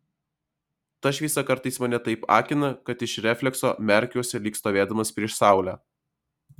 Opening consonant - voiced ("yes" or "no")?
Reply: no